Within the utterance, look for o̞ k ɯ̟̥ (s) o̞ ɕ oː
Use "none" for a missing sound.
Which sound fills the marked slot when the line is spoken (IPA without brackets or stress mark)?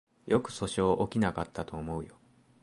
s